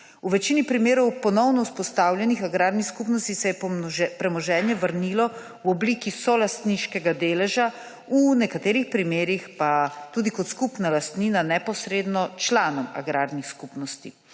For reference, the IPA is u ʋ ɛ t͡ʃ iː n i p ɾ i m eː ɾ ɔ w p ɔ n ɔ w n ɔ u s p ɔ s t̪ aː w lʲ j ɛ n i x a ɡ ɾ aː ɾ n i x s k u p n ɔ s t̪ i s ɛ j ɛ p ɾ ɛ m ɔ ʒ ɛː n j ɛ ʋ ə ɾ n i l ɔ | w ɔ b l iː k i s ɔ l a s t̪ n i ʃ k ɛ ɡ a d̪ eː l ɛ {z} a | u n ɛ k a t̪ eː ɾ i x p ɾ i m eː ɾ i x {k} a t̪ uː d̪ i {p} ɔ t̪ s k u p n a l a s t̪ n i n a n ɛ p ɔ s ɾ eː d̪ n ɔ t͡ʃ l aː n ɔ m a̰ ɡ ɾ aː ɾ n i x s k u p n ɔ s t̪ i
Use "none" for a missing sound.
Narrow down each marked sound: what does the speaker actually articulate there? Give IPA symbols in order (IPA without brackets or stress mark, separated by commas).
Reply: ʒ, p, k